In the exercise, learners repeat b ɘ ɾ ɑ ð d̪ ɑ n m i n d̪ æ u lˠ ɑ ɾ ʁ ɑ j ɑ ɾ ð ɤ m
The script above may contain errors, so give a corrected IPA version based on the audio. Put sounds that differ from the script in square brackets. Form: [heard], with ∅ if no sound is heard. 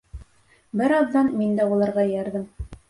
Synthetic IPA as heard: b ɘ ɾ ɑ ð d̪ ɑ n m i n d̪ æ u lˠ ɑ ɾ ʁ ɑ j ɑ ɾ ð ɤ m